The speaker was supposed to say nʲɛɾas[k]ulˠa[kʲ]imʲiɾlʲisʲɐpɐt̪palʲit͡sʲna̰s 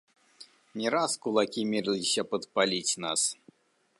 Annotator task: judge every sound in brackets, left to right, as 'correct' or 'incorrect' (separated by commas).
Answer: correct, correct